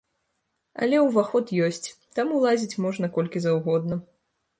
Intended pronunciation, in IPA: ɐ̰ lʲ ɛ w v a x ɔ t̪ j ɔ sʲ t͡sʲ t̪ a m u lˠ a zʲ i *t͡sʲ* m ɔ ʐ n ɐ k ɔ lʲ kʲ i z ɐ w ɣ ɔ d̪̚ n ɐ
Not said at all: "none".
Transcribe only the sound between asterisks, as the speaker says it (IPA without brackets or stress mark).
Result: t͡sʲ